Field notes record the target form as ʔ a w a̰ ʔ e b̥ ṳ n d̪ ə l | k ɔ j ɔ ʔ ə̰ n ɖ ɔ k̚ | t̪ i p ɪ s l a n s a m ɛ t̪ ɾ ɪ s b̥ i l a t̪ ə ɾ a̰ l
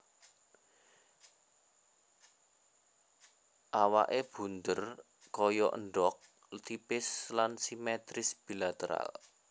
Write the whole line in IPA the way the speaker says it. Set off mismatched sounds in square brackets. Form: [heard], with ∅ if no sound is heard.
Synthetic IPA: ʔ a w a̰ ʔ e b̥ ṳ n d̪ ə [r] | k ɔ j ɔ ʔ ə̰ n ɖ ɔ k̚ | t̪ i p ɪ s l a n s [i] m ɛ t̪ ɾ ɪ s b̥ i l a t̪ ə ɾ a̰ l

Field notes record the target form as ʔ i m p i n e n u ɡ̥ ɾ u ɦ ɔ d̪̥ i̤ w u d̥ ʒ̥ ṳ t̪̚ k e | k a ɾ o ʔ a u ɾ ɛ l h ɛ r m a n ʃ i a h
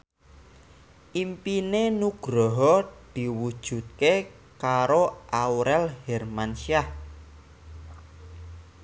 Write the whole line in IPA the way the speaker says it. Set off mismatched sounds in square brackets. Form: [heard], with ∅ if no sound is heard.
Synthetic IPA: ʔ i m p i n e n u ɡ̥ ɾ [ɔ] ɦ ɔ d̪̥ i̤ w u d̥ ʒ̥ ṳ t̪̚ k e | k a ɾ o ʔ a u ɾ ɛ l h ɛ r m a n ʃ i a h

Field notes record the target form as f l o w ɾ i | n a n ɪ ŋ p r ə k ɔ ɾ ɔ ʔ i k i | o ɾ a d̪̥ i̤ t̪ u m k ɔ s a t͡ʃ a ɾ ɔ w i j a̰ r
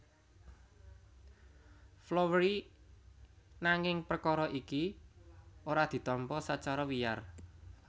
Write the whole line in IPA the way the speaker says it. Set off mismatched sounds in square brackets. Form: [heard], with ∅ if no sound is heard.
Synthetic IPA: f l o w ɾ i | n a [ŋ] ɪ ŋ p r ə k ɔ ɾ ɔ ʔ i k i | o ɾ a d̪̥ i̤ t̪ [ɔ] m [p] ɔ s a t͡ʃ a ɾ ɔ w i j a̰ r

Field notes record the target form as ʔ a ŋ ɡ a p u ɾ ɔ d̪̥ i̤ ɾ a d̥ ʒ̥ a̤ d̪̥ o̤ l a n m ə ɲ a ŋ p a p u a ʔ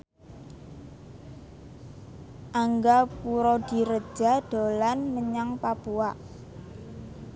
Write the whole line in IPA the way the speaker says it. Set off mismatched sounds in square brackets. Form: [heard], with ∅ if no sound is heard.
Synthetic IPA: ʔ a ŋ ɡ a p u ɾ ɔ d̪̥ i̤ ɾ [ə] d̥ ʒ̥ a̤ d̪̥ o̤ l a n m ə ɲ a ŋ p a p u a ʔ

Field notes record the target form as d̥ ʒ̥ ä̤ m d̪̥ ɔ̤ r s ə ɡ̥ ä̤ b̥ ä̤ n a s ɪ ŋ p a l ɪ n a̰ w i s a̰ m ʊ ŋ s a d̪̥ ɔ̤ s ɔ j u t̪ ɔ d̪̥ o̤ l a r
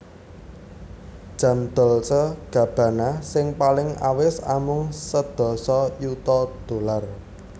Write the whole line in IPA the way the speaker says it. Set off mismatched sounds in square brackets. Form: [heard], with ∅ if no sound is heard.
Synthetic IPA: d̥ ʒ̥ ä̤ m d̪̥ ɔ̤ [l] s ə ɡ̥ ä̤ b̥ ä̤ n a s ɪ ŋ p a l ɪ [ŋ] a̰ w [ɪ] s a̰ m ʊ ŋ s [ə] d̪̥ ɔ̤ s ɔ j u t̪ ɔ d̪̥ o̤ l a r

